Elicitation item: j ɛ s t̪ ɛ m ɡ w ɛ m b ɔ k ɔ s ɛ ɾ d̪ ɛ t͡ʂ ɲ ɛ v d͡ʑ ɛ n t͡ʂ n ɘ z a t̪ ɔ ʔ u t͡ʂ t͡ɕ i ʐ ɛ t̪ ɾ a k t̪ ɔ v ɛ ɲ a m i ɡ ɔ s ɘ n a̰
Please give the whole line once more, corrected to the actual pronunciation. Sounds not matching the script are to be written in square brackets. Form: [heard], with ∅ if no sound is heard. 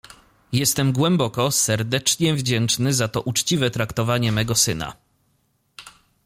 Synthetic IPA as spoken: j ɛ s t̪ ɛ m ɡ w ɛ m b ɔ k ɔ s ɛ ɾ d̪ ɛ t͡ʂ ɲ ɛ v d͡ʑ ɛ n t͡ʂ n ɘ z a t̪ ɔ ʔ u t͡ʂ t͡ɕ i [v] ɛ t̪ ɾ a k t̪ ɔ v [a] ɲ [ɛ] m [ɛ] ɡ ɔ s ɘ n a̰